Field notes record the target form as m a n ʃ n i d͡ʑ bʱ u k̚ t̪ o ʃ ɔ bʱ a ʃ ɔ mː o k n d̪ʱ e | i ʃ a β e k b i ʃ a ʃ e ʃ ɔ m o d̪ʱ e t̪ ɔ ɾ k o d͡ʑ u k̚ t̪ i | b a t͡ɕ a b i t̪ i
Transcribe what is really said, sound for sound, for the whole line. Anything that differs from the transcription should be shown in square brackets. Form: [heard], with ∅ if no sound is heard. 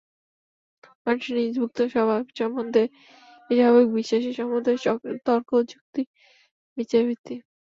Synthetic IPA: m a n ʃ n i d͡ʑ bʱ u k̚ t̪ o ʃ ɔ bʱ a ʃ ɔ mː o [∅] n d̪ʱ e | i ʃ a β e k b i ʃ a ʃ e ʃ ɔ m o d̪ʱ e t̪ ɔ ɾ k o d͡ʑ u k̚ t̪ i | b [i] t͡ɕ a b i t̪ i